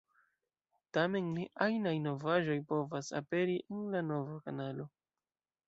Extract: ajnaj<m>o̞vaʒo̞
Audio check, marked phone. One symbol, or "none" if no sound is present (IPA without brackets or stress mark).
n